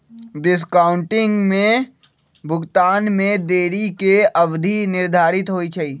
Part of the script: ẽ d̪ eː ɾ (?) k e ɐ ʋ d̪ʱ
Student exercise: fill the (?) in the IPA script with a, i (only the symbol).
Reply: i